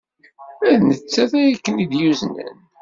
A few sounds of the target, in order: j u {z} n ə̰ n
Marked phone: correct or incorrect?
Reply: correct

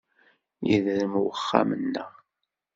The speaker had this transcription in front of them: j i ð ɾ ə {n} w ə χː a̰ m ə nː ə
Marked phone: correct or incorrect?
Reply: incorrect: m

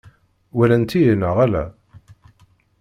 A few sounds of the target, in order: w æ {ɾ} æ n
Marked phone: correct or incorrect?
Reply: incorrect: l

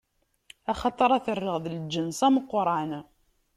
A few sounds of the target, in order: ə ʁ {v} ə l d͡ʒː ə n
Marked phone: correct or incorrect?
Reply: incorrect: ð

